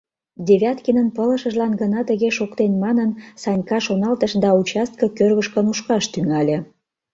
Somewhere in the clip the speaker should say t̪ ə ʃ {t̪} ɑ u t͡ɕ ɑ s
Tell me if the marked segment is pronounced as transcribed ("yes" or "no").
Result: no